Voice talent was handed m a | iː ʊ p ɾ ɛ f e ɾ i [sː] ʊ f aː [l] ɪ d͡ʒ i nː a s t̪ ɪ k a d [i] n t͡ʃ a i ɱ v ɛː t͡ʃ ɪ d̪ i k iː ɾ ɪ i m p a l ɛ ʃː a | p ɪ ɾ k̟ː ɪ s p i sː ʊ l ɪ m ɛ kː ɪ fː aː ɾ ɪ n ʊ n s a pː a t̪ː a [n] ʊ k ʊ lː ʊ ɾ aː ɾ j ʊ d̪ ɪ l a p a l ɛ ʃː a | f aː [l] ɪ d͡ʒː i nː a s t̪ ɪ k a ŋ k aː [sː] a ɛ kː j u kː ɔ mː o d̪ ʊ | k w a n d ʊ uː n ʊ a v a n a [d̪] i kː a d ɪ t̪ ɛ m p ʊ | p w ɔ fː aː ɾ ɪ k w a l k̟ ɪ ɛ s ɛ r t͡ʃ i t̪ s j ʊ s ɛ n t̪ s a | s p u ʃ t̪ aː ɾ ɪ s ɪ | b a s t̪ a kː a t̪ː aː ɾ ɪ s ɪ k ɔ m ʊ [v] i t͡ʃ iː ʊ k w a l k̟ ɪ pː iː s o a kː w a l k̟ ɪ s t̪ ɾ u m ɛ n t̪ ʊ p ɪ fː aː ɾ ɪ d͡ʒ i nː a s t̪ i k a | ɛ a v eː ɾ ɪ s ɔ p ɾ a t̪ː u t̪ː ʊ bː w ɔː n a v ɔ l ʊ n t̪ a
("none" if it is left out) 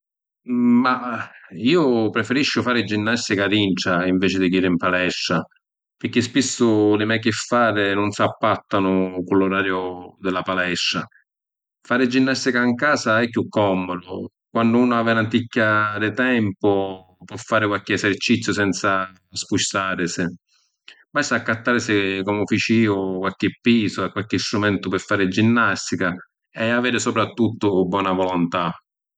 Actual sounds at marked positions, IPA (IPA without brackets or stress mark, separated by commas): ʃː, ɾ, i, n, ɾ, s, t̪, f